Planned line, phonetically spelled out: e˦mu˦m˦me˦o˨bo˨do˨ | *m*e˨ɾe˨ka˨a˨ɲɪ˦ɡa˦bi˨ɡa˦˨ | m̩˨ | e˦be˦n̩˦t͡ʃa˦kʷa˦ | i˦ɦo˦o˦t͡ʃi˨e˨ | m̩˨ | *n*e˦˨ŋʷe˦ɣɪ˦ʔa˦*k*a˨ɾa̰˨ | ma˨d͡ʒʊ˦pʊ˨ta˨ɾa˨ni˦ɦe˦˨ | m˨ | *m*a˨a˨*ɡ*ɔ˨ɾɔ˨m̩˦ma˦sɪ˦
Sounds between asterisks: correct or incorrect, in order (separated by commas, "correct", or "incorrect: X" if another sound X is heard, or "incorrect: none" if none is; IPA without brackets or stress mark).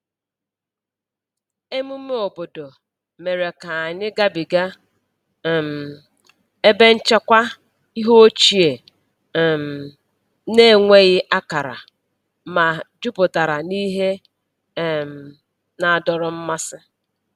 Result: correct, correct, correct, incorrect: n, incorrect: d